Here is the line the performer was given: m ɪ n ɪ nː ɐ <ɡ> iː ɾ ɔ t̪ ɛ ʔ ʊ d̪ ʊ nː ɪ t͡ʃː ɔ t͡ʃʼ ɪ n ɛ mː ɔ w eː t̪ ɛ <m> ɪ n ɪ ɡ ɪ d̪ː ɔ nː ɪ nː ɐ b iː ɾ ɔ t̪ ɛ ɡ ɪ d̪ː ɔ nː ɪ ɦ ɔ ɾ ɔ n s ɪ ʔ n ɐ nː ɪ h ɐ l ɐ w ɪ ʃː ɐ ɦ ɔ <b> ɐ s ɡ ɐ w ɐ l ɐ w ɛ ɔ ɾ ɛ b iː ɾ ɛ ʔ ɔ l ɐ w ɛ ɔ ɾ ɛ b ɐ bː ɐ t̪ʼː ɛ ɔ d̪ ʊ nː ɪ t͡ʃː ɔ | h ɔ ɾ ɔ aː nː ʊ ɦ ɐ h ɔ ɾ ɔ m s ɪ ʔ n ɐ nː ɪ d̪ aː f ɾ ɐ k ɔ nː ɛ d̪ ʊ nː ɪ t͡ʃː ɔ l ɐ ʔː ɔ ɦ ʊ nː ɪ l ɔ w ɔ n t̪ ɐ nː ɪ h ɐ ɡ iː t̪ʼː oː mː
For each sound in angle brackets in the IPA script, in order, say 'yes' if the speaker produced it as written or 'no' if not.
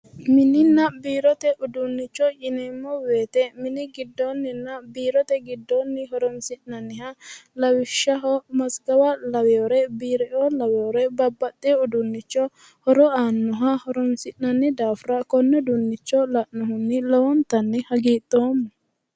no, yes, no

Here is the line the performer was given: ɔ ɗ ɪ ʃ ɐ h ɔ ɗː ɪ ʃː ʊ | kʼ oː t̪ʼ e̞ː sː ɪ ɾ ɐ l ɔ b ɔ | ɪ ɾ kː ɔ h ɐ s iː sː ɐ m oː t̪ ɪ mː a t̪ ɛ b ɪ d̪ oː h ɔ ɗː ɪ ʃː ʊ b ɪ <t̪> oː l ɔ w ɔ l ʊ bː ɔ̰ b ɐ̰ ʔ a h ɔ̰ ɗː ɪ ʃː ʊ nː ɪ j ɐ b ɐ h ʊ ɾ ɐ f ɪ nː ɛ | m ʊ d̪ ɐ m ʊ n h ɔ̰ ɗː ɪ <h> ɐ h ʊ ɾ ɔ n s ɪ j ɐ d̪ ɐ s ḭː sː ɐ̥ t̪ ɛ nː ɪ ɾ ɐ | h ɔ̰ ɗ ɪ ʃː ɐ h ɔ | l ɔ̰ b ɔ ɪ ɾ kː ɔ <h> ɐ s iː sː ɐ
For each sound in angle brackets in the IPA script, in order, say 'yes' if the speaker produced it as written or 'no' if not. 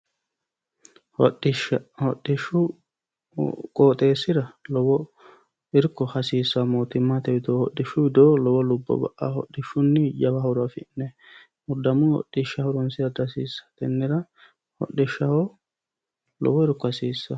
no, no, yes

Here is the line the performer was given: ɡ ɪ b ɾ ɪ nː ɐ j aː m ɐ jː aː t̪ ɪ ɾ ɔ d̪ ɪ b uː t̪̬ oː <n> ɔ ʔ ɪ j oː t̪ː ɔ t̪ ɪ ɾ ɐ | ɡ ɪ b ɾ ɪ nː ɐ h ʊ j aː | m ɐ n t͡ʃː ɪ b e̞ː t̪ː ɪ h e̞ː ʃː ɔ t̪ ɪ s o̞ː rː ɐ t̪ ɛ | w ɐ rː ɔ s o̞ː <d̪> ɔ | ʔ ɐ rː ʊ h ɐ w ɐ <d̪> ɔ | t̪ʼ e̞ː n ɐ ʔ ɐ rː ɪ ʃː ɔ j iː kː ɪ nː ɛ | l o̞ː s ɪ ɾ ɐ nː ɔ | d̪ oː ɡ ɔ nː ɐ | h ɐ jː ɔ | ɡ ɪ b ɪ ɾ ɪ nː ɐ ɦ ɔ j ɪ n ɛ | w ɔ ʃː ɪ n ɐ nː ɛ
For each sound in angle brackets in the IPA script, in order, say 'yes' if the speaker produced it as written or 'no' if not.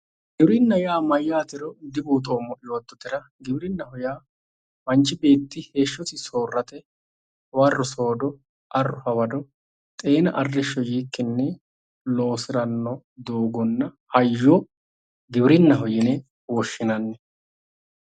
no, yes, yes

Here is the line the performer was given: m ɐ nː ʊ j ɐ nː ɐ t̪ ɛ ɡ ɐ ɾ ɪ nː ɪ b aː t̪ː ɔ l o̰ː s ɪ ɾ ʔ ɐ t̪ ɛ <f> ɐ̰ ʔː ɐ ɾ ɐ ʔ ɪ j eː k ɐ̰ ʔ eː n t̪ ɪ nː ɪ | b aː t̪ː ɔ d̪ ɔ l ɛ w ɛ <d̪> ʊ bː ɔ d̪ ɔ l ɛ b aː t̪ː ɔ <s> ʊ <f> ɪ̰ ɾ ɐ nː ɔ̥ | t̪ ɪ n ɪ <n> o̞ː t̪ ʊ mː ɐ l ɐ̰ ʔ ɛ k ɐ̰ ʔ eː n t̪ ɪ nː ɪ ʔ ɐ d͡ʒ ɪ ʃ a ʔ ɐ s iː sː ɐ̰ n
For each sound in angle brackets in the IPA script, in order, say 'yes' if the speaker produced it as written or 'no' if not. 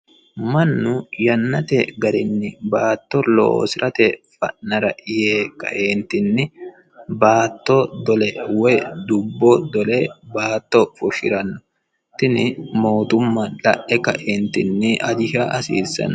yes, yes, no, no, no

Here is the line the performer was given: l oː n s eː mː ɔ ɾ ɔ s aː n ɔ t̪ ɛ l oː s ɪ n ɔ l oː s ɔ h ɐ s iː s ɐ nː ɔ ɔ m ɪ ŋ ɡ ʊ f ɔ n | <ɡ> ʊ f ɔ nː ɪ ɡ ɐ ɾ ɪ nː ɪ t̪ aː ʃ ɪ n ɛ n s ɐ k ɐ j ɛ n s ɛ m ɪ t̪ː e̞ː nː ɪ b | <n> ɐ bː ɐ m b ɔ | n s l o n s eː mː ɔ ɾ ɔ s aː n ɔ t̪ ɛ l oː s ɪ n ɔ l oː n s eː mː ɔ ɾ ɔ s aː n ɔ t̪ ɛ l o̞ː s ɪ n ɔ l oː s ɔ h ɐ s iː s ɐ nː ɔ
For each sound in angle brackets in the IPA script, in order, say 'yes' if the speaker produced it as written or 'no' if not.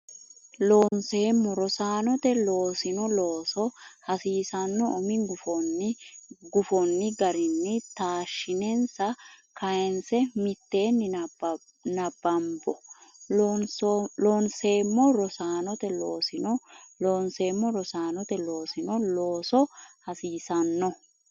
yes, yes

